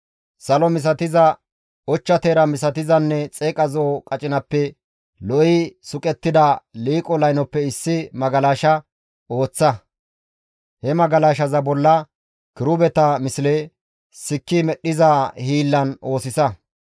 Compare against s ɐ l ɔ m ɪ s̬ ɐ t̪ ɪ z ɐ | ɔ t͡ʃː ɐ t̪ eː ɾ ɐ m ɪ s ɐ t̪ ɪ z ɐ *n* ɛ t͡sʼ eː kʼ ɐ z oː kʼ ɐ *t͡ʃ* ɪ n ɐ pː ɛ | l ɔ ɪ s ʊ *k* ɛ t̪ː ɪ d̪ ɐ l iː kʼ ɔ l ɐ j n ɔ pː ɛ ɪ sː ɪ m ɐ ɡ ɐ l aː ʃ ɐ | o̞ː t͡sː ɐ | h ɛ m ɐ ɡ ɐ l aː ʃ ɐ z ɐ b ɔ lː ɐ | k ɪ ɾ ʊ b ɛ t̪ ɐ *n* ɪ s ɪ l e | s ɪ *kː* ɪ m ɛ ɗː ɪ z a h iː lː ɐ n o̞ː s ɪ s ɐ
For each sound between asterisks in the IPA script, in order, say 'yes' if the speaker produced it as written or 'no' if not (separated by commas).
no, no, no, no, yes